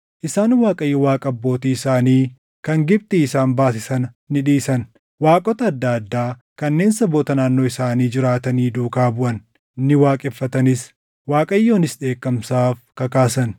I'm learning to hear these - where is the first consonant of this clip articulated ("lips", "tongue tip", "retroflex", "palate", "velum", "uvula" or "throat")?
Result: throat